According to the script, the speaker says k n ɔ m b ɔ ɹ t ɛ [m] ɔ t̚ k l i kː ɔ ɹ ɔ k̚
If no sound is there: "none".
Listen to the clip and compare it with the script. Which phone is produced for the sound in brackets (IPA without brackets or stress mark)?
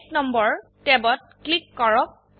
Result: b